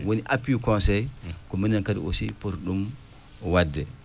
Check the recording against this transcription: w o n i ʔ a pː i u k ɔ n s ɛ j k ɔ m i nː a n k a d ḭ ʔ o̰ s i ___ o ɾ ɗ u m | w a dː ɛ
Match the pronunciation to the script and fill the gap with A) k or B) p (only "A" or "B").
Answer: B